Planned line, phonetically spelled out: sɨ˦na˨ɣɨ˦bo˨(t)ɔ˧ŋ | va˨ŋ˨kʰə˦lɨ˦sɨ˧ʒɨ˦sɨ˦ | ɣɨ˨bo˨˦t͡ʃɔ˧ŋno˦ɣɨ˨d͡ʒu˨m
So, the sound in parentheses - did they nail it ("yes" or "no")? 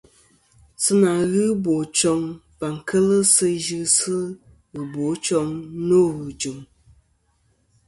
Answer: no